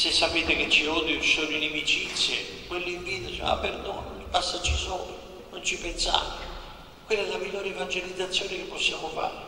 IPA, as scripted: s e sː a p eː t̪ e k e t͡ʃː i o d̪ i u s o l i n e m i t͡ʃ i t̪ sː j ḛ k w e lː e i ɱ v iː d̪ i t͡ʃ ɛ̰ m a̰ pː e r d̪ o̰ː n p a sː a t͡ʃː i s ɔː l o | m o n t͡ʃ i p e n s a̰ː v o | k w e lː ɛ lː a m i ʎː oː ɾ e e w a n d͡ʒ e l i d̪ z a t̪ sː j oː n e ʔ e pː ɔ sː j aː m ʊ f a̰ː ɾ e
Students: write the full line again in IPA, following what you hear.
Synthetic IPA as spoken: s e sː a p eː t̪ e k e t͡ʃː i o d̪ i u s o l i n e m i t͡ʃ i t̪ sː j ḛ k w e lː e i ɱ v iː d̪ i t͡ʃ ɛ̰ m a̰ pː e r d̪ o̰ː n p a sː a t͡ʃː i s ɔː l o | n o n t͡ʃ i p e n s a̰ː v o | k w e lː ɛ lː a m i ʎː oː ɾ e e v a n d͡ʒ e l i d̪ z a t̪ sː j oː n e k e pː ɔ sː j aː m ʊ f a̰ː ɾ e